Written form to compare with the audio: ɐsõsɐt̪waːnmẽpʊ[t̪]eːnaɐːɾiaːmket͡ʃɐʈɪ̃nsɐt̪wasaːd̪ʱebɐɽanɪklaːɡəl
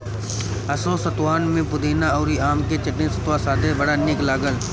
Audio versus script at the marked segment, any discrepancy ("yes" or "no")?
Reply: yes